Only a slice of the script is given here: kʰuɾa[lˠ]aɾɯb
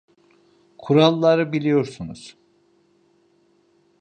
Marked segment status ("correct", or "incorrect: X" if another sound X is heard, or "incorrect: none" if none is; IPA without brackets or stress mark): incorrect: lˠː